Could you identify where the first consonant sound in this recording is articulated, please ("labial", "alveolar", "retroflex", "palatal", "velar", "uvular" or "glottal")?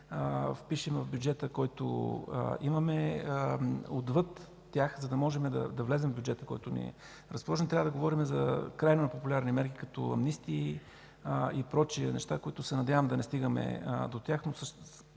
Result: labial